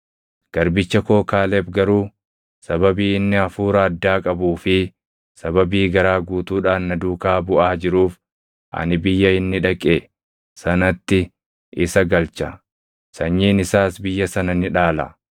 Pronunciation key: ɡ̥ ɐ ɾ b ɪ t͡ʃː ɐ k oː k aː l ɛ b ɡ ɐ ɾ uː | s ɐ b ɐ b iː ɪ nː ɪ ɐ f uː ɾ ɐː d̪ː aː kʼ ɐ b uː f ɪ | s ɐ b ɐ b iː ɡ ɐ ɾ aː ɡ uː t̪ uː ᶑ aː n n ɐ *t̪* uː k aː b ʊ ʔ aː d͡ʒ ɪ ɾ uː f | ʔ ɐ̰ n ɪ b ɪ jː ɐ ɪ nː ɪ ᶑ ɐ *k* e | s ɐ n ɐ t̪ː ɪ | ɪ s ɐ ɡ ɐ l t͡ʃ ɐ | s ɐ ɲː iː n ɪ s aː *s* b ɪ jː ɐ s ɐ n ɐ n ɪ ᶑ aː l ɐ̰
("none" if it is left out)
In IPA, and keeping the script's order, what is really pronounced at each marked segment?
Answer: d̪, kʼ, s

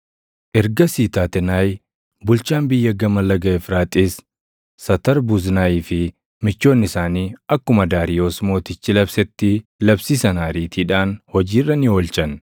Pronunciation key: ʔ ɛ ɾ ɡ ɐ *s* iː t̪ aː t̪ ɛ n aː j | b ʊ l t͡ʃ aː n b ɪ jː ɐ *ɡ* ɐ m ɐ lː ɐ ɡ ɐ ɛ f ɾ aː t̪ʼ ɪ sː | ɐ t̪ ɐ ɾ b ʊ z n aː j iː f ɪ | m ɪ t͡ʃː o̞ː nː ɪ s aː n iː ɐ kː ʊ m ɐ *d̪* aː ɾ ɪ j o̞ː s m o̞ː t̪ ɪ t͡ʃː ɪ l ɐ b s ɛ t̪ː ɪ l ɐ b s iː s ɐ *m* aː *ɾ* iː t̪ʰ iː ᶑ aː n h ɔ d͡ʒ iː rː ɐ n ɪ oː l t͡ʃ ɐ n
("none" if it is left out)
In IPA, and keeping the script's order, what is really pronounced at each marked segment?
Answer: s, ɡ, d̪, n, ɾ

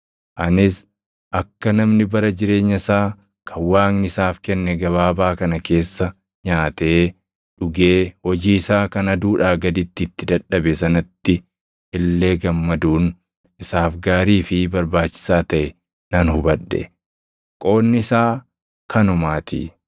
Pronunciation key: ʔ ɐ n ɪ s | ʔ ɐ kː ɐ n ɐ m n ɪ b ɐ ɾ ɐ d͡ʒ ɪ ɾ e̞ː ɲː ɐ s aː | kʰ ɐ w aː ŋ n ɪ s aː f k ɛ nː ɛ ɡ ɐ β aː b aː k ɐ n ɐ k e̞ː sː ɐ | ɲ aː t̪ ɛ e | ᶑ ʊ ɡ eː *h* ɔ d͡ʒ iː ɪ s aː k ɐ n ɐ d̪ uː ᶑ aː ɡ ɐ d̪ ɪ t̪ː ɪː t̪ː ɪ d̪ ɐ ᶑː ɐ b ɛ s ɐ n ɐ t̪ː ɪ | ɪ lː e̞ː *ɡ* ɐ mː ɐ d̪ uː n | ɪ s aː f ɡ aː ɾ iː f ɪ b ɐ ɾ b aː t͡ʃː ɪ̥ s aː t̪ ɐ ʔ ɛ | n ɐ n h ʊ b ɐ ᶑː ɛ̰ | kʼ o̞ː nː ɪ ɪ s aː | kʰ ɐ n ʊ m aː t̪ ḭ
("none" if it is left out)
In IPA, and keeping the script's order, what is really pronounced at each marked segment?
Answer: h, ɡ

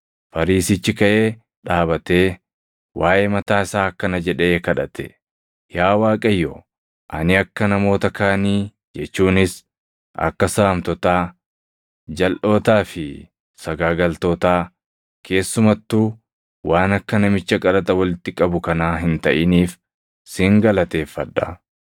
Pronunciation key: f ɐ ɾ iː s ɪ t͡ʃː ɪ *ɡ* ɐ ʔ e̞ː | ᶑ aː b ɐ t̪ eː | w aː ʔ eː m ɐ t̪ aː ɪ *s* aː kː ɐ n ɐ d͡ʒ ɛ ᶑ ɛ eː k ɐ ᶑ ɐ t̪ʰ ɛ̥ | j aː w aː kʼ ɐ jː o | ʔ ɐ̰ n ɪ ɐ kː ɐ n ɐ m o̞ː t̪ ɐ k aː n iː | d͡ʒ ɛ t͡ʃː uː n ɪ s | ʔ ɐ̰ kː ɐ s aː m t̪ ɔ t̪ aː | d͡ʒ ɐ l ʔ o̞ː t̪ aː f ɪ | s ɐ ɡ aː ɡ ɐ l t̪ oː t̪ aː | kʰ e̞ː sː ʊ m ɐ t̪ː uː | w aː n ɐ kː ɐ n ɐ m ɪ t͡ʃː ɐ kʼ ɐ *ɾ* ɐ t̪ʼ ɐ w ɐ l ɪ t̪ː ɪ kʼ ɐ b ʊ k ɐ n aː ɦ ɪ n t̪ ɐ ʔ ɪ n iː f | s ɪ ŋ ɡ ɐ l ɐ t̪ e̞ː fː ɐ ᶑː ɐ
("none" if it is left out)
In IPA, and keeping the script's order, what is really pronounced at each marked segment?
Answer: k, s, l

